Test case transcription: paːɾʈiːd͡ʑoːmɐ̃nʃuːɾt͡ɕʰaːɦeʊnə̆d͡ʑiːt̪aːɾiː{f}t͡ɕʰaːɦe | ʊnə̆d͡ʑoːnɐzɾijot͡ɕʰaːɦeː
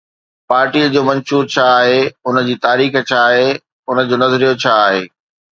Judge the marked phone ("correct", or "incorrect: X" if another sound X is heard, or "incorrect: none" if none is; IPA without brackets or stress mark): incorrect: x